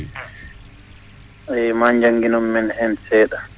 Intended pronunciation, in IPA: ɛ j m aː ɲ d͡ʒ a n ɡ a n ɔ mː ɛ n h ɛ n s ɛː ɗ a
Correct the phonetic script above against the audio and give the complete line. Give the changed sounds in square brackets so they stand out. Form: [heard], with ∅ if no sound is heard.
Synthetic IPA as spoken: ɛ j m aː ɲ d͡ʒ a [ŋ] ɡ [i] n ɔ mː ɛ n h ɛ n s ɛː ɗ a